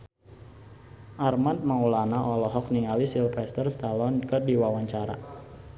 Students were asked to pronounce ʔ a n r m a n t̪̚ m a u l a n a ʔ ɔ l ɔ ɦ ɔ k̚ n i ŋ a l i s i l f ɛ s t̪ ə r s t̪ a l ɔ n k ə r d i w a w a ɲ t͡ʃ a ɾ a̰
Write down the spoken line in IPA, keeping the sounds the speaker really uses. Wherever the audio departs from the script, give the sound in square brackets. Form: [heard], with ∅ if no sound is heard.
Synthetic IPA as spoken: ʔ a [∅] r m a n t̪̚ m a u l a n a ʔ ɔ l ɔ ɦ ɔ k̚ n i ŋ a l i s i l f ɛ s t̪ ə r s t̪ a l ɔ n k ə r d i w a w a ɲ t͡ʃ a ɾ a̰